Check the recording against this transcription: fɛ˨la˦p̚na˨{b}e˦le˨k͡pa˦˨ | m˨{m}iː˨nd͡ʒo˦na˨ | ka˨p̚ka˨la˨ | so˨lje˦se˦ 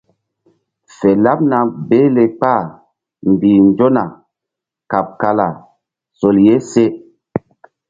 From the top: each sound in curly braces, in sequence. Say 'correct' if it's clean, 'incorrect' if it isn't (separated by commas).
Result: correct, incorrect